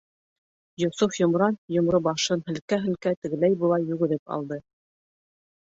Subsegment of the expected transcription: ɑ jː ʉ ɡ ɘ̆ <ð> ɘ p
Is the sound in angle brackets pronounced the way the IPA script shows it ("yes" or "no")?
yes